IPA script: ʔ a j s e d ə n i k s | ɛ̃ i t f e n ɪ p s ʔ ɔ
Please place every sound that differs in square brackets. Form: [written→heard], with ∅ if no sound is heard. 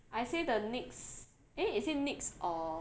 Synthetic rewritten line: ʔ a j s e d ə n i k s | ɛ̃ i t [f→s] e n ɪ [p→k] s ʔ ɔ